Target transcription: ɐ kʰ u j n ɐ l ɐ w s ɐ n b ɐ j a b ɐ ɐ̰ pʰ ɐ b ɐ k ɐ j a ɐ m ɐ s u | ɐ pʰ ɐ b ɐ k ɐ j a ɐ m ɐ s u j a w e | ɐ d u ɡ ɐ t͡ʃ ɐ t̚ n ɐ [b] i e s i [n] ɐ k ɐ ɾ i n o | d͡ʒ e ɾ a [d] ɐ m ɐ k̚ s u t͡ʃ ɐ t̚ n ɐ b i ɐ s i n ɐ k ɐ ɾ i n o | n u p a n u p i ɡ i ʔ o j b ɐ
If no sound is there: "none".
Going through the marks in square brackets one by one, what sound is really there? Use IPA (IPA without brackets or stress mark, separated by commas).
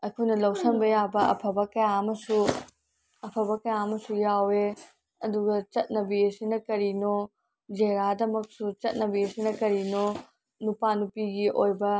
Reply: b, n, d